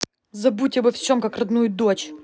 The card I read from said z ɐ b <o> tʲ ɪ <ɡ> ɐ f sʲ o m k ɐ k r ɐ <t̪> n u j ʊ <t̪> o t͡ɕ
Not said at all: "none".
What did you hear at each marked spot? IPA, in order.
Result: u, b, d̪, d̪

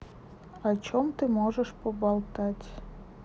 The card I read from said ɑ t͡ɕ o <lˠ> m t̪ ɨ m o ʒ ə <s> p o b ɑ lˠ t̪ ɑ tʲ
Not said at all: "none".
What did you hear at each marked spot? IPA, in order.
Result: none, ʃ

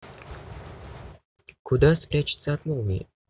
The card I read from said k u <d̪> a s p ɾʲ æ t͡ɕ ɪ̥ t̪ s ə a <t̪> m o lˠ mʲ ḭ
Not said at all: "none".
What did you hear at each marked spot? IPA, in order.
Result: d̪, t̪

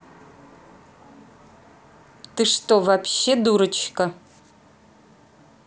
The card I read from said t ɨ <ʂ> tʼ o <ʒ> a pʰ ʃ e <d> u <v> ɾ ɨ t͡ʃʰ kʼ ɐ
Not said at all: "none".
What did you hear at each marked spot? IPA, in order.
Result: ʂ, v, d, none

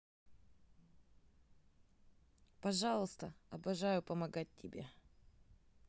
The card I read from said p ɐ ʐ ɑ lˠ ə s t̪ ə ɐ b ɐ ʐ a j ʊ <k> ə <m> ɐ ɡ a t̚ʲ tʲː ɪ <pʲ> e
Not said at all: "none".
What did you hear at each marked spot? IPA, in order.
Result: p, m, bʲ

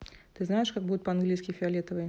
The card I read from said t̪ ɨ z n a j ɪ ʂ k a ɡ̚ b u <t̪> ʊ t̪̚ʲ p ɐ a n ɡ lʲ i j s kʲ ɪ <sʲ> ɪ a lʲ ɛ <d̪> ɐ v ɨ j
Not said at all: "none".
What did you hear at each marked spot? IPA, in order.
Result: d̪, fʲ, t̪

